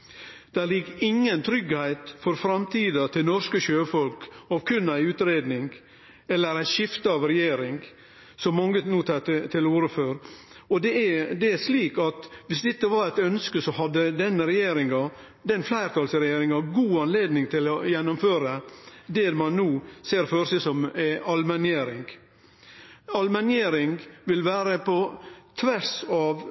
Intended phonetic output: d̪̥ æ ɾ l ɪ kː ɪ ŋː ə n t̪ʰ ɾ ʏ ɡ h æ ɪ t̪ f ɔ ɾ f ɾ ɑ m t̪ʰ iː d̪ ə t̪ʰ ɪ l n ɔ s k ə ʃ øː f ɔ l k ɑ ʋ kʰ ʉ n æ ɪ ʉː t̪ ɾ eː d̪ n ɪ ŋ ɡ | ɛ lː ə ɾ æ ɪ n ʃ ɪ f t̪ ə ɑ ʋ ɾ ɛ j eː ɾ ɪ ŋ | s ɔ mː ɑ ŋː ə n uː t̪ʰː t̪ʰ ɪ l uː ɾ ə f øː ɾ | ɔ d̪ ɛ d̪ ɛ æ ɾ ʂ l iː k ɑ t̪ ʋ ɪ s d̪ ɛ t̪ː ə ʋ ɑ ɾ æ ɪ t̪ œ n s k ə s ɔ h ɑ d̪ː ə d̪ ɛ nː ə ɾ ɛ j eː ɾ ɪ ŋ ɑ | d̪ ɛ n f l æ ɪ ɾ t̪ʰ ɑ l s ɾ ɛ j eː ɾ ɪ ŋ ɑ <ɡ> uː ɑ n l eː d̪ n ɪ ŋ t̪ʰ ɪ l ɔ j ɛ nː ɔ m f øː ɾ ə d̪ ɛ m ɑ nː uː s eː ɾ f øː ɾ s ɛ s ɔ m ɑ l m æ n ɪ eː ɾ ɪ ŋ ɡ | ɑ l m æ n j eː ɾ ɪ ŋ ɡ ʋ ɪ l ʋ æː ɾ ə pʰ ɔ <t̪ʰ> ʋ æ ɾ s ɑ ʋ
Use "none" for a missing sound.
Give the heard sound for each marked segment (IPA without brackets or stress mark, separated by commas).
ɡ, t̪ʰ